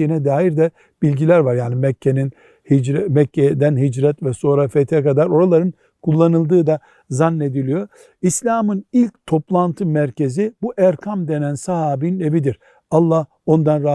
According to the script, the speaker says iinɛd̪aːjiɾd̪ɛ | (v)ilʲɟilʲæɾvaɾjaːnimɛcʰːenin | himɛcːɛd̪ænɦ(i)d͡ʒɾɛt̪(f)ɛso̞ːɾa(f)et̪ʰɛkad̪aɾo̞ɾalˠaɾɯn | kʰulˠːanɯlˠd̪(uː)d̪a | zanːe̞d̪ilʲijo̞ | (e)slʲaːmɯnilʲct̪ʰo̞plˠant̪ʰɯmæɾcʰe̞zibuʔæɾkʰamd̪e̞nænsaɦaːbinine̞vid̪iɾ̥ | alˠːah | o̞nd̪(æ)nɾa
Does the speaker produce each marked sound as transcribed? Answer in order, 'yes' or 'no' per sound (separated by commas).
no, yes, no, yes, no, no, no